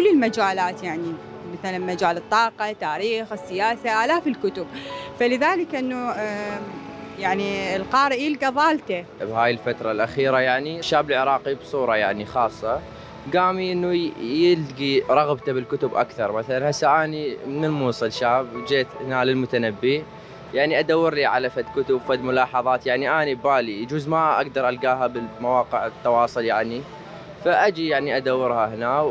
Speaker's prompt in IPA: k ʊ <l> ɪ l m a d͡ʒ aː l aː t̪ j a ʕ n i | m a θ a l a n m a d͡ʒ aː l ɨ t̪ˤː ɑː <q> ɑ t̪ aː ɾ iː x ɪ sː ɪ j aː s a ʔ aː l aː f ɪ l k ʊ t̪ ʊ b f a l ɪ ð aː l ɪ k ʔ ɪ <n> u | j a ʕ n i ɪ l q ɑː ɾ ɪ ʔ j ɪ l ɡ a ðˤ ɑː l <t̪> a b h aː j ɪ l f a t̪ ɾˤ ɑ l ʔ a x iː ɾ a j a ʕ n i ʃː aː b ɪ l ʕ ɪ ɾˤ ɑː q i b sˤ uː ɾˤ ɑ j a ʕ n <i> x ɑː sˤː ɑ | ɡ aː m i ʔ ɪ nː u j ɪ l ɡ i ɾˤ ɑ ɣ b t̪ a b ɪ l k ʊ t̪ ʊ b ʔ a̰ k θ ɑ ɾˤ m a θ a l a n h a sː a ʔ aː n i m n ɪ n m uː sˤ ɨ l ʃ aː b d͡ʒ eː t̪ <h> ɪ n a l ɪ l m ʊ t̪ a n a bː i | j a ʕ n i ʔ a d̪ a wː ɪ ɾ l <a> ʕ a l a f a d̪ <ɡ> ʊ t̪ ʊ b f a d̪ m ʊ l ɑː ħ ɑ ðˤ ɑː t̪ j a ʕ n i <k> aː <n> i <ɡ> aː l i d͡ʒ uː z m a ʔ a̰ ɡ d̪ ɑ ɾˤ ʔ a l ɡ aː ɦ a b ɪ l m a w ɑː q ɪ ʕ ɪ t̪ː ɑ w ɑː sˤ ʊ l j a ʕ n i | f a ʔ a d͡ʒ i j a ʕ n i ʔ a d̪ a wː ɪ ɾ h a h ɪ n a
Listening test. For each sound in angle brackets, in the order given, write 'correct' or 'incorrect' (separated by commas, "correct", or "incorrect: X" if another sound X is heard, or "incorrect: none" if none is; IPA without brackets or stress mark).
incorrect: lː, correct, incorrect: nː, correct, correct, correct, incorrect: i, incorrect: k, incorrect: ʔ, correct, incorrect: b